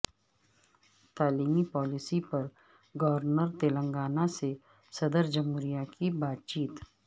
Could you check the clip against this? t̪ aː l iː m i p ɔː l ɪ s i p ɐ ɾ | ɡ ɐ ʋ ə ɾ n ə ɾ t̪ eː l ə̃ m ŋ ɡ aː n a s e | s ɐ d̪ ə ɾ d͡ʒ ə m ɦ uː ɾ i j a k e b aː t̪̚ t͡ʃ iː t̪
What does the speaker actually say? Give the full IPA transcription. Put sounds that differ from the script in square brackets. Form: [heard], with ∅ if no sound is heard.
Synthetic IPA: t̪ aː l iː m i p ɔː l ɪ s i p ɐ ɾ | ɡ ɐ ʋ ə ɾ n ə ɾ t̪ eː l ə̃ [∅] ŋ ɡ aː n a s e | s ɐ d̪ ə ɾ d͡ʒ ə m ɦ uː ɾ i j a k [i] b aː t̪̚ t͡ʃ iː t̪